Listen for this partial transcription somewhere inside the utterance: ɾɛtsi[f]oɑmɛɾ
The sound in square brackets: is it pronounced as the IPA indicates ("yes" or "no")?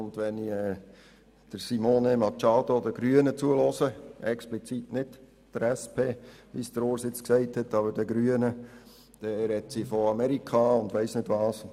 yes